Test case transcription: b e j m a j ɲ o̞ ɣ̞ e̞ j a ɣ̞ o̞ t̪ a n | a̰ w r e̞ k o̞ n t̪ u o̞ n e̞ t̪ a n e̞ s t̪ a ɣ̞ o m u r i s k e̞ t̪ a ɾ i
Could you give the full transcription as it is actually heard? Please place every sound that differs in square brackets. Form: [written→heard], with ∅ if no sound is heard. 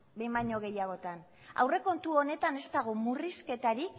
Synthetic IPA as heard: b e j m a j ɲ o̞ ɣ̞ e̞ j a ɣ̞ o̞ t̪ a n | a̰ w r e̞ k o̞ n t̪ u o̞ n e̞ t̪ a n e̞ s t̪ a ɣ̞ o m u r i s k e̞ t̪ a ɾ i